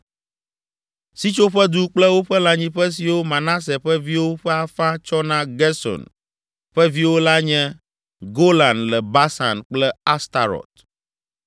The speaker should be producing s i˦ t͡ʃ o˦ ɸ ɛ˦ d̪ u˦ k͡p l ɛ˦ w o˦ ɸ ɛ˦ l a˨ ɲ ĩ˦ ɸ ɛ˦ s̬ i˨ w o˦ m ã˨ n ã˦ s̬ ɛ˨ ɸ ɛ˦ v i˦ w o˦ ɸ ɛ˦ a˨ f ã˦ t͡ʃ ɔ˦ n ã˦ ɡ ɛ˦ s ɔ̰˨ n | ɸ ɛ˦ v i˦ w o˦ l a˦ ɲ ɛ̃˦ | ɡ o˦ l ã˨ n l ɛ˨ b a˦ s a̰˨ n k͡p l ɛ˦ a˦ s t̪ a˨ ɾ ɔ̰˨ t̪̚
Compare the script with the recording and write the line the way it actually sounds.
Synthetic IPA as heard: s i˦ t͡ʃ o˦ ɸ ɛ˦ d̪ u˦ k͡p l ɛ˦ w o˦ ɸ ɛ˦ l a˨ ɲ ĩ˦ ɸ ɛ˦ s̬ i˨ w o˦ m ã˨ n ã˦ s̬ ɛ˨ ɸ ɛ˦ v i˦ w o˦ ɸ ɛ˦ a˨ f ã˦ t͡ʃ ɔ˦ n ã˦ ɡ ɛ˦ s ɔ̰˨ n | ɸ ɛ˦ v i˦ w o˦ l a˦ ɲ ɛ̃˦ | ɡ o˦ l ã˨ n l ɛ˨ b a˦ s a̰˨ n k͡p l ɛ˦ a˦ s t̪ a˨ ɾ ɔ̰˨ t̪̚